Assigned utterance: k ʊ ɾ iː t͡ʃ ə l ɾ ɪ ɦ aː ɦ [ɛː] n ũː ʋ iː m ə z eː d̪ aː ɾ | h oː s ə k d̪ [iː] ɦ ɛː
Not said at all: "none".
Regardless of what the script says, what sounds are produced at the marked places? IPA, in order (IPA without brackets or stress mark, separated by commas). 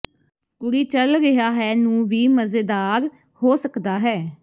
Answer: ɛː, aː